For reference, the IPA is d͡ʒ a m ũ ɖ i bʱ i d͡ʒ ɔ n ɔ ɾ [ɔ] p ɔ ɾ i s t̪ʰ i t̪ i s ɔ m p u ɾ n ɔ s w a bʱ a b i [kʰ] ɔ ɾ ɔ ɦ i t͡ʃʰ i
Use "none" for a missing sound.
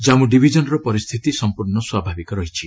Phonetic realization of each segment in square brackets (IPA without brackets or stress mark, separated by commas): ɔ, k